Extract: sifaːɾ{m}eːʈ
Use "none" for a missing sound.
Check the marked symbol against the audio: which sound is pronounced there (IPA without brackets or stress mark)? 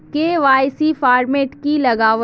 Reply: m